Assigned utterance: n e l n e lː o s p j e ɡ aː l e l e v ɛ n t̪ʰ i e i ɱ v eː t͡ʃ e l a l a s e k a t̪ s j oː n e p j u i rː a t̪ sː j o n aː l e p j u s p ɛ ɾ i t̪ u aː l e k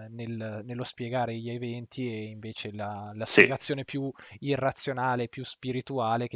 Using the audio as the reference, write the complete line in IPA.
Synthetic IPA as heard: n e l n e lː o s p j e ɡ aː ɾ e ʎ e v ɛ n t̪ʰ i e i ɱ v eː t͡ʃ e l a l a s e ɡ a t̪ s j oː n e p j u i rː a t̪ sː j o n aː l e p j u s p i ɾ i t̪ u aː l e k